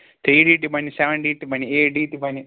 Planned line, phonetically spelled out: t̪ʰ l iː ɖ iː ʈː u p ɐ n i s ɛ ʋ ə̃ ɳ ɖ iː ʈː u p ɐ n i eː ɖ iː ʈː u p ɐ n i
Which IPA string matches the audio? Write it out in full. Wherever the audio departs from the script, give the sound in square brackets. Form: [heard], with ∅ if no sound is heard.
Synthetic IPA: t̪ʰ [ɾ] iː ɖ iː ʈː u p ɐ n i s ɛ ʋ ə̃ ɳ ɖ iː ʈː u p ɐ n i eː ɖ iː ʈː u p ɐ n i